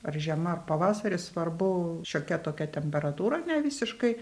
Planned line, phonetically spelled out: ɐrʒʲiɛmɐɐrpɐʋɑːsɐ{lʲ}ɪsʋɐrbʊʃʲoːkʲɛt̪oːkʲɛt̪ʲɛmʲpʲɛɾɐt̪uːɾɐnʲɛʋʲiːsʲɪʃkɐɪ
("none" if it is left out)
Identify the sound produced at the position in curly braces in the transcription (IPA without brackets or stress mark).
ɾʲ